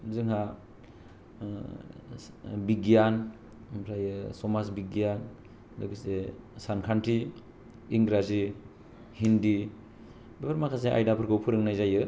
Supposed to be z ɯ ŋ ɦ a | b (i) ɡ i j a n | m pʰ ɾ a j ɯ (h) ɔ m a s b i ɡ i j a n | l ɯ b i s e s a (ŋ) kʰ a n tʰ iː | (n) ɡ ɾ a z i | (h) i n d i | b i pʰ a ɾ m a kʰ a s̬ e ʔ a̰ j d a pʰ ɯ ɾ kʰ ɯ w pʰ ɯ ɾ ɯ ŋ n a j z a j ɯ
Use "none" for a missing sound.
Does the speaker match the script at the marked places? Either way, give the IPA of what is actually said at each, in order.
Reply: i, s, n, ŋ, h

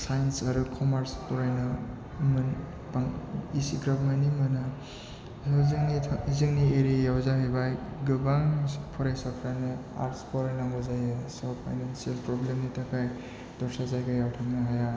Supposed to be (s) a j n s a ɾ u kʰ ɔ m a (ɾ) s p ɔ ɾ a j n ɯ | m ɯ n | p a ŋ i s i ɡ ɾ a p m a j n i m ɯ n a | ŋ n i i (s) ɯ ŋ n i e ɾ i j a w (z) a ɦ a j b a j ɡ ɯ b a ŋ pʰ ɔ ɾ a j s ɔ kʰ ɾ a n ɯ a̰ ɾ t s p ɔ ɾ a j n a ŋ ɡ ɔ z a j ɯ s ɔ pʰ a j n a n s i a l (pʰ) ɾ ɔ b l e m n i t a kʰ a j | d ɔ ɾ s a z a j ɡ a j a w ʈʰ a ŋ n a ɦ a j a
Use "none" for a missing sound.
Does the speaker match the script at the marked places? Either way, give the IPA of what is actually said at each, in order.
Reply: s, ɾ, z, z, p

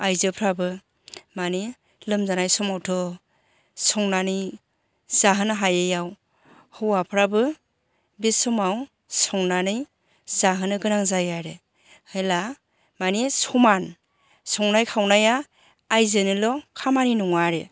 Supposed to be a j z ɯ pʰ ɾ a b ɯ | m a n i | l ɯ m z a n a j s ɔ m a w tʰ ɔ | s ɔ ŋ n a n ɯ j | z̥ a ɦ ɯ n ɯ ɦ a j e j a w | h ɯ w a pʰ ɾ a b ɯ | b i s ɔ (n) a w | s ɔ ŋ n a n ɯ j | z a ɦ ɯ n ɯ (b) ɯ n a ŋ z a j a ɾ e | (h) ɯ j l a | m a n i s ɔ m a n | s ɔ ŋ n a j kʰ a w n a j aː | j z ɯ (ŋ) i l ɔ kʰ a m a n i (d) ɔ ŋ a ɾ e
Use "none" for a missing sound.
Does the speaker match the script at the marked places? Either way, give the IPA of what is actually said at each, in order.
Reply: m, ɡ, h, n, n

